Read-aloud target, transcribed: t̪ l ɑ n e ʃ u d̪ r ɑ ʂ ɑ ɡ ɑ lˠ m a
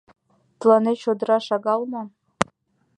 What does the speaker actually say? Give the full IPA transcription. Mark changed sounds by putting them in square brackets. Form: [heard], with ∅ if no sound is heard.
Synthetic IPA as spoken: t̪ l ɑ n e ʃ [o] d̪ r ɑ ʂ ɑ ɡ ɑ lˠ m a